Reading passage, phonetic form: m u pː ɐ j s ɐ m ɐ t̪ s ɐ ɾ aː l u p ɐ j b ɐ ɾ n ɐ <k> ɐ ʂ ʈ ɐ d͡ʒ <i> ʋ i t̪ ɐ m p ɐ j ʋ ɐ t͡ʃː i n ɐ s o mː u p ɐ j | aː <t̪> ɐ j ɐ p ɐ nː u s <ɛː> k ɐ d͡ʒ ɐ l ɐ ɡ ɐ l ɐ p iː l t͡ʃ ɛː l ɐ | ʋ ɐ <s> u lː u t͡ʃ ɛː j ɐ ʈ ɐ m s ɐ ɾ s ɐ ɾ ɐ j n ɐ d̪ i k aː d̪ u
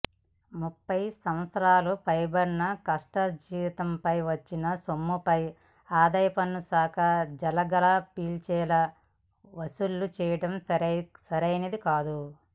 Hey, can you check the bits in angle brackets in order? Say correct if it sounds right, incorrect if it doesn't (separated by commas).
correct, incorrect, incorrect, incorrect, correct